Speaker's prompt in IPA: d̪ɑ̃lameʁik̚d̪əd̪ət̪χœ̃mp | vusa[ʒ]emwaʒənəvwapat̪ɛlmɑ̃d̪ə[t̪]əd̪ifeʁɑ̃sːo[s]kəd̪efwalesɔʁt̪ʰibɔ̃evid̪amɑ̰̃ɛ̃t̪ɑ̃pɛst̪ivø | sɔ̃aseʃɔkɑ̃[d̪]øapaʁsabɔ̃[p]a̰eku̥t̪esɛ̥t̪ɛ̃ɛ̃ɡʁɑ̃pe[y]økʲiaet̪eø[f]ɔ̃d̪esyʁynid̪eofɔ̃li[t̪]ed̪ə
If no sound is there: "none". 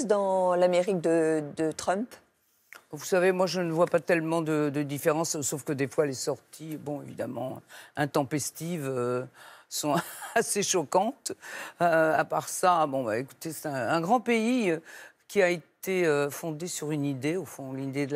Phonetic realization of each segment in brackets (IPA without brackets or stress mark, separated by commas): v, d̪, f, t̪, b, i, f, d̪